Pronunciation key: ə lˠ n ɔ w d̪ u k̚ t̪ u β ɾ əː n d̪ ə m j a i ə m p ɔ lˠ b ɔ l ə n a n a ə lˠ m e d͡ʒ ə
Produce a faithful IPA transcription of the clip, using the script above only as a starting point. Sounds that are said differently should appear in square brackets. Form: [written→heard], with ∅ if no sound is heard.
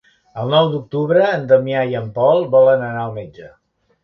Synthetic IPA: ə lˠ n ɔ w d̪ u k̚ t̪ u β ɾ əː n d̪ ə m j a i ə m p ɔ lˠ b ɔ l ə n [a→ə] n a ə lˠ m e d͡ʒ ə